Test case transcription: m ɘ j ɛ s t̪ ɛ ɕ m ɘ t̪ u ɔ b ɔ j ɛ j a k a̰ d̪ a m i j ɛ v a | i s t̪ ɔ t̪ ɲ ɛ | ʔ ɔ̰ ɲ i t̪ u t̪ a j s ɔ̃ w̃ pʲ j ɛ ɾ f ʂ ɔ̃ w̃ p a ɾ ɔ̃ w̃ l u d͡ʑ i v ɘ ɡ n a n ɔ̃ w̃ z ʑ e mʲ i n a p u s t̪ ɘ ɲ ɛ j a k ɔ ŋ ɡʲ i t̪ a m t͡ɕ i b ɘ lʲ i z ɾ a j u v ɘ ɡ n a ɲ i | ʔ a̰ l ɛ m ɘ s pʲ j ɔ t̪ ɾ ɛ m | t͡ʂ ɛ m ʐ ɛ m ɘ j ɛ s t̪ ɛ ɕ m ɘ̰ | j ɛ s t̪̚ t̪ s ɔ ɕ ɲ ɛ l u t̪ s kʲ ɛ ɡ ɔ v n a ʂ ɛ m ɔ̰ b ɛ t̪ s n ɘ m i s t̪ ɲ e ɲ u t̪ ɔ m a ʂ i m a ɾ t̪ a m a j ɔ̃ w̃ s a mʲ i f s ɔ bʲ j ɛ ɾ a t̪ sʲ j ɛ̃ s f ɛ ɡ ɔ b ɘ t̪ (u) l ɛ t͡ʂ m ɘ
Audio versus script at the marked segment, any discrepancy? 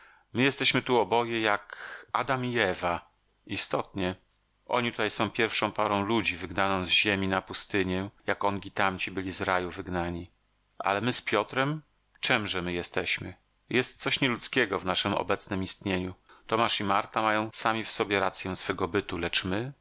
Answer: no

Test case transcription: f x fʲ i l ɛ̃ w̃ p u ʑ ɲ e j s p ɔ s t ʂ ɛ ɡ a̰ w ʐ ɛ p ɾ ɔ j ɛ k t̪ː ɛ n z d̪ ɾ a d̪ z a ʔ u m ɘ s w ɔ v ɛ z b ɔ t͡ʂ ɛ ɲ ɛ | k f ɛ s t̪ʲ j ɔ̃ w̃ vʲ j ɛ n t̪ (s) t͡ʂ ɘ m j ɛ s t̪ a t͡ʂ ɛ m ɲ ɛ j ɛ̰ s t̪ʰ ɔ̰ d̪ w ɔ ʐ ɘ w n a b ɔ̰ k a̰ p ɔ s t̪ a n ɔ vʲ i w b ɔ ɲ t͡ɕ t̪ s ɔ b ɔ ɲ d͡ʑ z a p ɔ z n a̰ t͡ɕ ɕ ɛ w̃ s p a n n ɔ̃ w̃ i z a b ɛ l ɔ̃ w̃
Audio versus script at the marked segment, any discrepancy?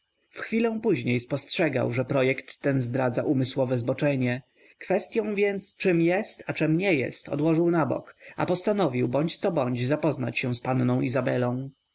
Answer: no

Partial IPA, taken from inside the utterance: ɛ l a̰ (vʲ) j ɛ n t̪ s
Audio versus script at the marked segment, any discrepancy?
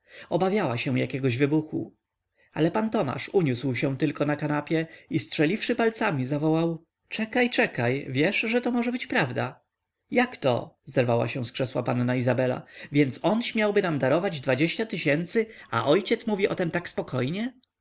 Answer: no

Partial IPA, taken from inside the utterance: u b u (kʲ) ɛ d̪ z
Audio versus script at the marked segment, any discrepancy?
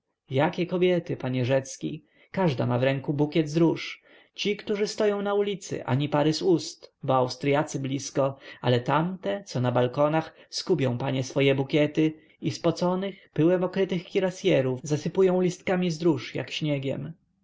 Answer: no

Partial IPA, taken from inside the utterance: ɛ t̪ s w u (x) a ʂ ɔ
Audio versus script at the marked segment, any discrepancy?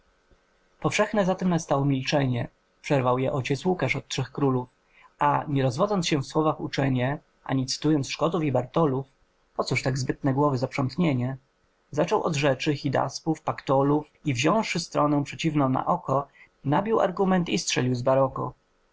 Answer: yes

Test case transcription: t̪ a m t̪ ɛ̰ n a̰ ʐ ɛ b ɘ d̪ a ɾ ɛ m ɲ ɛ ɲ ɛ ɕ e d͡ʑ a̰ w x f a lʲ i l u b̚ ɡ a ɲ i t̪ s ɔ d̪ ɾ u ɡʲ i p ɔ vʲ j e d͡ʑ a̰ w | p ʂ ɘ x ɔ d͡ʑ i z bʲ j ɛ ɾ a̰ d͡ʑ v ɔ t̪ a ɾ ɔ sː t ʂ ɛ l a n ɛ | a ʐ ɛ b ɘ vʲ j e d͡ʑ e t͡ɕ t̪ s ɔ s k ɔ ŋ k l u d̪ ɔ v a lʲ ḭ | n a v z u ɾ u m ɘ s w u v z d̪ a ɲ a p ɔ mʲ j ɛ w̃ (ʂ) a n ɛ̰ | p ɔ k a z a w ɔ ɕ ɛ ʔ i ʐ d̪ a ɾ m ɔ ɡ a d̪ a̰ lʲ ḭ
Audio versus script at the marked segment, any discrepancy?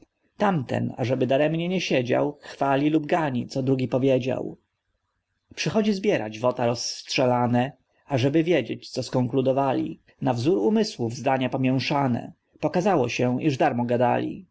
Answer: no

